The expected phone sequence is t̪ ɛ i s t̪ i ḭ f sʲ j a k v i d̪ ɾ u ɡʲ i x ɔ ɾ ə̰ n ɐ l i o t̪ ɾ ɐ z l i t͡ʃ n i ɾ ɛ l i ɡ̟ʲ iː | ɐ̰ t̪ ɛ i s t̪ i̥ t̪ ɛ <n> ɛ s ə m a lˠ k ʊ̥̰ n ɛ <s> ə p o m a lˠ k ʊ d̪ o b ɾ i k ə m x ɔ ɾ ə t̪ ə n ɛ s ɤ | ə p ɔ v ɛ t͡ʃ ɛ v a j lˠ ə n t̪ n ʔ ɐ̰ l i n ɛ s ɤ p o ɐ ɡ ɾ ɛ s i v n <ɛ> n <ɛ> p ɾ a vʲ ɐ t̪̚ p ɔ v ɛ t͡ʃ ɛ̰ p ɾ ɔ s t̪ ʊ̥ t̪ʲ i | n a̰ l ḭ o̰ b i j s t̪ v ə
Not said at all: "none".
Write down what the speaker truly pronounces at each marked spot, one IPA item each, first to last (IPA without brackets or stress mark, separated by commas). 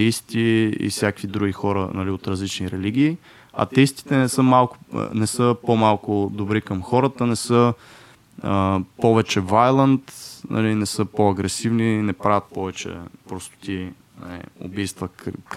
n, s, i, ɛ